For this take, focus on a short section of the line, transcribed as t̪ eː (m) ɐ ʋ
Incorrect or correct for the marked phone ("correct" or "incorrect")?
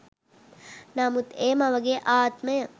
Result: correct